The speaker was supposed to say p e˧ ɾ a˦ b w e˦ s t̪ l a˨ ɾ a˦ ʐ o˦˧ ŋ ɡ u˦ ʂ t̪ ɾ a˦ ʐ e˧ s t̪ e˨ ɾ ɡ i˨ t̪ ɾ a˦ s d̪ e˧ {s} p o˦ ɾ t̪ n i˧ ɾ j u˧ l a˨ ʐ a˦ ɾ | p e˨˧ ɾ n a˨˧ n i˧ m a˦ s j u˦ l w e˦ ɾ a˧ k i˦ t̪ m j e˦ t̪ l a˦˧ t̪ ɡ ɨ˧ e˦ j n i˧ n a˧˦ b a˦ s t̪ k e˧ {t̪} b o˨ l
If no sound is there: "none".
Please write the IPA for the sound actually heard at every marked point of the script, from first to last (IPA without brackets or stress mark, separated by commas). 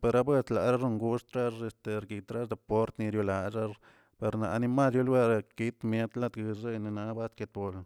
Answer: none, t̪